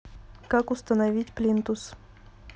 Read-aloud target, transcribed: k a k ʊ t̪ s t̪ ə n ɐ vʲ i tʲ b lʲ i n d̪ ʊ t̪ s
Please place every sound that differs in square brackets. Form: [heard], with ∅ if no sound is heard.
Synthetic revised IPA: k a k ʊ [∅] s t̪ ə n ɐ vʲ i tʲ [p] lʲ i n [t̪] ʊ [∅] s